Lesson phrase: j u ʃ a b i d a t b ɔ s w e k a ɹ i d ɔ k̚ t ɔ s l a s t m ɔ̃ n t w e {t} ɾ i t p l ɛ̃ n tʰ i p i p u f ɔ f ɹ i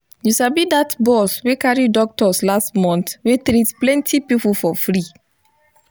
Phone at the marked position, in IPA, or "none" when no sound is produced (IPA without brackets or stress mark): t